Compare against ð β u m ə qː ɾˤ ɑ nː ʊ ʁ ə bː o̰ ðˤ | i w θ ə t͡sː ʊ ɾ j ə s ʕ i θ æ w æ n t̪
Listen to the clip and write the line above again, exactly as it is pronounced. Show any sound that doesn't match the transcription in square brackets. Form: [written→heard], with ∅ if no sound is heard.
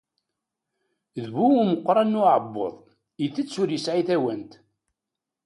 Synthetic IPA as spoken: ð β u m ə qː ɾˤ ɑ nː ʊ [ʁ→ʕ] ə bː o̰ ðˤ | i [w→∅] θ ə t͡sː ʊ ɾ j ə s ʕ i θ æ w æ n t̪